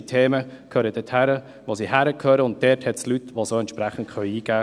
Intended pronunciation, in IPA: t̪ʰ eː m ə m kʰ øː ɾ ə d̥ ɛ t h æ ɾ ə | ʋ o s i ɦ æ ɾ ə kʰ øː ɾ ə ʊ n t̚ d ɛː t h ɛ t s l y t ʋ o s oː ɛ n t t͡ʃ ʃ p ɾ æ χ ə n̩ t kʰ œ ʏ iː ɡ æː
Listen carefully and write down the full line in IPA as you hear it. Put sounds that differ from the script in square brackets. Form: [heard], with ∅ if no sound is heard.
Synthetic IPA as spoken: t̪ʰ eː m ə [∅] kʰ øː ɾ ə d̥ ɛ t h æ ɾ ə | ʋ o s i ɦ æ ɾ ə kʰ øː ɾ ə ʊ n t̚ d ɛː t h ɛ t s l y t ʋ o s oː ɛ n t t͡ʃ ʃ p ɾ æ χ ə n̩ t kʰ œ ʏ iː ɡ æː